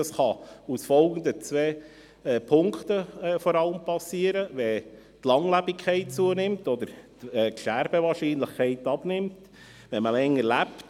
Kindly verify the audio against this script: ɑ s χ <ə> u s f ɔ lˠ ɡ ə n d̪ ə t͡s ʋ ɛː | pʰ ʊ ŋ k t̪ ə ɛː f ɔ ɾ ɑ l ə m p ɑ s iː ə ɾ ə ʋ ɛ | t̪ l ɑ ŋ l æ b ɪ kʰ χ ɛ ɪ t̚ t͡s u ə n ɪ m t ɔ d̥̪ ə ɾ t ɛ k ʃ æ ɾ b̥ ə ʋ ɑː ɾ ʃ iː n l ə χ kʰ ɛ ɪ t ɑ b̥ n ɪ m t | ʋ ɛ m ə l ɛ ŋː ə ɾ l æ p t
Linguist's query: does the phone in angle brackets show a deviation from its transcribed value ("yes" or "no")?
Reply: yes